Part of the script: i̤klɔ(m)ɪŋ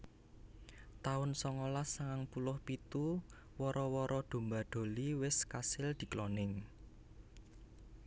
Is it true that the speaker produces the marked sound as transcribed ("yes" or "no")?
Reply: no